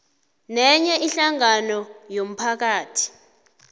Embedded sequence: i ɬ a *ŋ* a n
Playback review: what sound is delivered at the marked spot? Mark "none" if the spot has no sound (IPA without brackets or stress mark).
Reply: ŋ